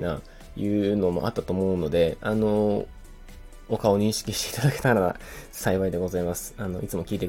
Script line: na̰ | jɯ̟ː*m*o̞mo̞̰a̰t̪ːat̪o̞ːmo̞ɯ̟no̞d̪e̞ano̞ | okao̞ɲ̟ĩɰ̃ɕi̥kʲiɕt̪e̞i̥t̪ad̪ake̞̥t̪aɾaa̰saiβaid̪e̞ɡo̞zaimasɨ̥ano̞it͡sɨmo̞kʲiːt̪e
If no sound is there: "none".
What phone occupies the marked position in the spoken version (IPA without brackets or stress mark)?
n